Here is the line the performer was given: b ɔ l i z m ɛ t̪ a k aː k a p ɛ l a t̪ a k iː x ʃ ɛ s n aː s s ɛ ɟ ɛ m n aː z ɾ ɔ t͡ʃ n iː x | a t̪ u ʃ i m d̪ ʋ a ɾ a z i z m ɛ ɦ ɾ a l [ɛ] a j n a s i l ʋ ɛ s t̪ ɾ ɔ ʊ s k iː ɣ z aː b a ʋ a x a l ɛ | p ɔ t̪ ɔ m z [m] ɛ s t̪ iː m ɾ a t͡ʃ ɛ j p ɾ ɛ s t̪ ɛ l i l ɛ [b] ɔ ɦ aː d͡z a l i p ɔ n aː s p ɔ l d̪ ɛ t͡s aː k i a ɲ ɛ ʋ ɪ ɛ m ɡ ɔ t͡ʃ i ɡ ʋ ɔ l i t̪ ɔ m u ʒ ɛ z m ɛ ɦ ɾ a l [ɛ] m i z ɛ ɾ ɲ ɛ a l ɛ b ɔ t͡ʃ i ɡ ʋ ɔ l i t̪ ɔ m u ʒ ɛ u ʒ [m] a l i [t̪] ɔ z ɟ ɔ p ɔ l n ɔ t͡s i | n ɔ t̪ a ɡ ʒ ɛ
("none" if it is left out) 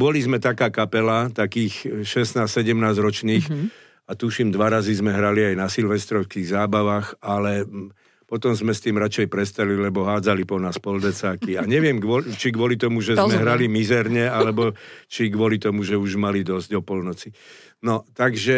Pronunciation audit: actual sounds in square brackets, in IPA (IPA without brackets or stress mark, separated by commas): i, m, b, i, m, d̪